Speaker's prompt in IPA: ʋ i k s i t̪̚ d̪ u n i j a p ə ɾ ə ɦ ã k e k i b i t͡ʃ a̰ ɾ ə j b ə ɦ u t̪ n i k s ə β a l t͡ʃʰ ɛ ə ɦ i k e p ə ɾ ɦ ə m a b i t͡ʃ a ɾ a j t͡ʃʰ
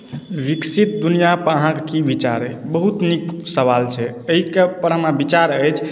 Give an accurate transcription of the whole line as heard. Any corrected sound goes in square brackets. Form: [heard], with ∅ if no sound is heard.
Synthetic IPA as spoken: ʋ i k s i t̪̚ d̪ u n i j a p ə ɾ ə ɦ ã k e k i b i t͡ʃ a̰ ɾ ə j b ə ɦ u t̪ n i k s ə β a l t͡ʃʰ ɛ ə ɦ i k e p ə ɾ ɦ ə m a b i t͡ʃ a ɾ [ə] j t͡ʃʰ

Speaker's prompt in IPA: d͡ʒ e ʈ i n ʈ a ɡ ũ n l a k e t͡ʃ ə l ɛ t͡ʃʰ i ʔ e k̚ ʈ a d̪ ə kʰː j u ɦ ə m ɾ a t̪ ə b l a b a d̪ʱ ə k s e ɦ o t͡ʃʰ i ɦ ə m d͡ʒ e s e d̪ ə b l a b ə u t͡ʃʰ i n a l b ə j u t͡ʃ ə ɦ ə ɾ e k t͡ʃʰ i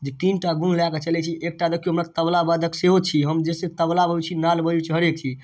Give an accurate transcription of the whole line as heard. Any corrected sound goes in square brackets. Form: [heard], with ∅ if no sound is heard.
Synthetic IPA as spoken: d͡ʒ e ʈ i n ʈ a ɡ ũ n l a k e t͡ʃ ə l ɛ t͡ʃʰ i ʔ e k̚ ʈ a d̪ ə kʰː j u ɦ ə m ɾ a t̪ ə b l a b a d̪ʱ ə k s e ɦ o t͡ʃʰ i ɦ ə m d͡ʒ e s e [t̪] ə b l a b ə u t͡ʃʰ i n a l b ə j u t͡ʃ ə ɦ ə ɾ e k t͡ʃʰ i

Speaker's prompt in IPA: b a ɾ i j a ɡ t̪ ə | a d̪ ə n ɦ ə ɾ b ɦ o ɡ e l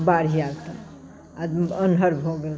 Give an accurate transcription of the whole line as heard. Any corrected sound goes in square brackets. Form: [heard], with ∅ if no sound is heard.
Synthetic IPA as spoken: b a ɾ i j a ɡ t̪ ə | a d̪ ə n ɦ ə ɾ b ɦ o ɡ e l

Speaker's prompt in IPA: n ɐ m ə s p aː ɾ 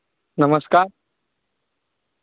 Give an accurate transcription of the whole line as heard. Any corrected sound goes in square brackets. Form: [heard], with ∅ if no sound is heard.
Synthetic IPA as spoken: n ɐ m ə s [k] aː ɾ

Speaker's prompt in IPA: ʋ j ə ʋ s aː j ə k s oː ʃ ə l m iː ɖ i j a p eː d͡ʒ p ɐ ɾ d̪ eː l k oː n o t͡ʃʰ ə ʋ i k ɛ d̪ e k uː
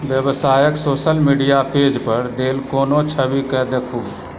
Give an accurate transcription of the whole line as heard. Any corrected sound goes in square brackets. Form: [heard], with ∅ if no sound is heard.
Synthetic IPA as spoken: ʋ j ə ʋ s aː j ə k s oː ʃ ə l m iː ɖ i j a p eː d͡ʒ p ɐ ɾ d̪ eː l k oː n o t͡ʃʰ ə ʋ i k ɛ d̪ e [kʰ] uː

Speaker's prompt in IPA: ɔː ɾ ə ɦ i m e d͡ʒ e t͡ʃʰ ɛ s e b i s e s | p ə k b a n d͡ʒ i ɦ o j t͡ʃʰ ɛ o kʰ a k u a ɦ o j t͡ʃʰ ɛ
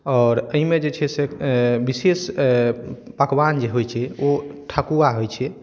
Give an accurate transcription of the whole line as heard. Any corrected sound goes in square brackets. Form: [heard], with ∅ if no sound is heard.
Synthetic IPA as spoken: ɔː ɾ ə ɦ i m e d͡ʒ e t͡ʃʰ ɛ s e b i s e s | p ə k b a n d͡ʒ [e] ɦ o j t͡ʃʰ ɛ o [ʈʰ] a k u a ɦ o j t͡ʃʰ ɛ

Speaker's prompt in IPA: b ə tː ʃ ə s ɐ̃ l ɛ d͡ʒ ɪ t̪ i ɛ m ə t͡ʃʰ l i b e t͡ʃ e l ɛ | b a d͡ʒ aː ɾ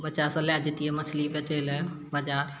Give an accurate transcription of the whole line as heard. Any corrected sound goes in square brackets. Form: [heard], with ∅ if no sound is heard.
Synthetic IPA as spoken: b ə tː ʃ [a] s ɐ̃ l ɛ d͡ʒ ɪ t̪ i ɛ m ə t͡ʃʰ l i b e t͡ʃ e l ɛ | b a d͡ʒ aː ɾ

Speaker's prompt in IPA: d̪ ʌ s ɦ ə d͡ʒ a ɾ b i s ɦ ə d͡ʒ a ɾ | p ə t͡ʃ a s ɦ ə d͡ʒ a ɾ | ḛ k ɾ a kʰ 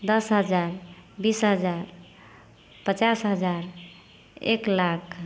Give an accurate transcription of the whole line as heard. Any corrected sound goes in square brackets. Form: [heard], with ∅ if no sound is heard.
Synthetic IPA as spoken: d̪ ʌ s ɦ ə d͡ʒ a ɾ b i s ɦ ə d͡ʒ a ɾ | p ə t͡ʃ a s ɦ ə d͡ʒ a ɾ | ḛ k [l] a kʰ

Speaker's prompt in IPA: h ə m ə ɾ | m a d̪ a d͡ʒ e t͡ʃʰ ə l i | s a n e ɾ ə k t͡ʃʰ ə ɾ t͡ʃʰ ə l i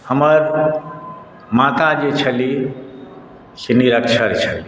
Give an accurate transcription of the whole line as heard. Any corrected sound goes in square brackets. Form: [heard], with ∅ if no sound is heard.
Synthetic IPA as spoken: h ə m ə ɾ | m a [t̪] a d͡ʒ e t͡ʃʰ ə l i | s [e] n [i] ɾ ə k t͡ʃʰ ə ɾ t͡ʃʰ ə l i

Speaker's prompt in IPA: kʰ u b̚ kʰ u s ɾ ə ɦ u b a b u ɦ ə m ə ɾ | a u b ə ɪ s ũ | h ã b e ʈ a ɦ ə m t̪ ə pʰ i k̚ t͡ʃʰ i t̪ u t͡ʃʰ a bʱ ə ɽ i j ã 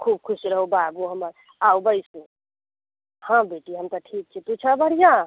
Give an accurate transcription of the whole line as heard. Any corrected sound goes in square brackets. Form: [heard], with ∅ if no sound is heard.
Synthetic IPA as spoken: kʰ u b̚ kʰ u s ɾ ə ɦ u b a b u ɦ ə m ə ɾ | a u b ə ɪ s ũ | h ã b e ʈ [i] ɦ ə m t̪ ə [ʈʰ] i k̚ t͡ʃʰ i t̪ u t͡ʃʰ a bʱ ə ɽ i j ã

